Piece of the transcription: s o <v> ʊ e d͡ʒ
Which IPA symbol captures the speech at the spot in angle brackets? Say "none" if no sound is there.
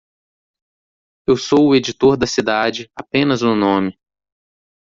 w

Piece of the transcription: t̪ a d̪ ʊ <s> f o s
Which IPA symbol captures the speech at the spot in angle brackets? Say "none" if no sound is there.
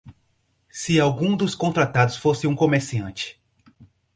s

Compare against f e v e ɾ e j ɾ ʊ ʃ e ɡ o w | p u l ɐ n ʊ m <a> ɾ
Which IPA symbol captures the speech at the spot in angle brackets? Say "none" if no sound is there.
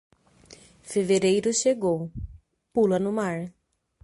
a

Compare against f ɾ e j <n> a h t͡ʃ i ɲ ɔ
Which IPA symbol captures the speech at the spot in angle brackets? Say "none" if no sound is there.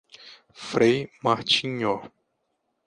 m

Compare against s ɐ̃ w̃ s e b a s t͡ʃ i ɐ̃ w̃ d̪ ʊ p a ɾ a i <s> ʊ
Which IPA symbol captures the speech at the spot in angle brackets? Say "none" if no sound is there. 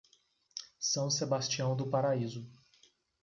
z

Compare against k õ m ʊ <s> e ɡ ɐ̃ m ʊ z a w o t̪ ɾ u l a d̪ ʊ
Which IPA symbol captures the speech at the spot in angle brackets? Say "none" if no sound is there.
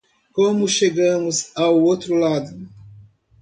ʃ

